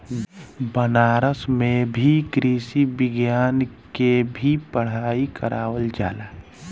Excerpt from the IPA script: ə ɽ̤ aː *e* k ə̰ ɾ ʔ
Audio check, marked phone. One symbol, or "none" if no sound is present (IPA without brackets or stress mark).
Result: i